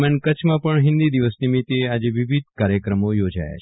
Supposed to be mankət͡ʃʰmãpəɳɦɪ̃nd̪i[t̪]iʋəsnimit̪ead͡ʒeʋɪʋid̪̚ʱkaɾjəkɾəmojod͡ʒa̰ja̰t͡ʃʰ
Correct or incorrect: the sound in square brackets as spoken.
incorrect: d̪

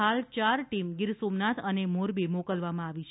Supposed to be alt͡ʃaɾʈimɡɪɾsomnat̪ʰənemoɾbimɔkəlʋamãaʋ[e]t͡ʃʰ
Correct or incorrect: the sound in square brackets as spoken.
incorrect: i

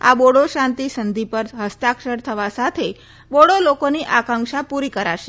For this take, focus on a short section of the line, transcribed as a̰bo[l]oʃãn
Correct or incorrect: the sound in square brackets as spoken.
incorrect: ɽ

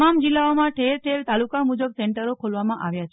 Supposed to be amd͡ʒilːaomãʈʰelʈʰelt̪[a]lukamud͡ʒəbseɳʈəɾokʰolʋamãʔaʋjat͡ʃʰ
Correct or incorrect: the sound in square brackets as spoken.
correct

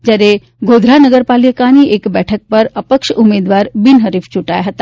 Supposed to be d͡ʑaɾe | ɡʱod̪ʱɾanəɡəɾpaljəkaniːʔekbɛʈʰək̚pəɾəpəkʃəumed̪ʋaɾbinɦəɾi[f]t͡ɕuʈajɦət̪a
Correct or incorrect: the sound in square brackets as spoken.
correct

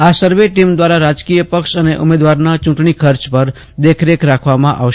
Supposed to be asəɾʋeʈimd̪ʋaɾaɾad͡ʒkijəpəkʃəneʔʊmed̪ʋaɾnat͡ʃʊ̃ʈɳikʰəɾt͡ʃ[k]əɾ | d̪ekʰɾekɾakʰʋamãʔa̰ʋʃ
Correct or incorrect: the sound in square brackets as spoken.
incorrect: p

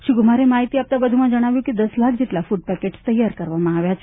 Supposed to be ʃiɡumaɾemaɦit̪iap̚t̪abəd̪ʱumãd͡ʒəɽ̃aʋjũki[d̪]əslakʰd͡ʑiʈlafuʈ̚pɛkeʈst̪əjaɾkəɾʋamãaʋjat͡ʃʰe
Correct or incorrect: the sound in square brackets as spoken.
correct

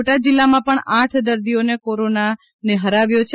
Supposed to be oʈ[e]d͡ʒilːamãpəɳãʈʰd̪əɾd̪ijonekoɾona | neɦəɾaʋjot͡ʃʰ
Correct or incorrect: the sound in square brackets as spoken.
incorrect: a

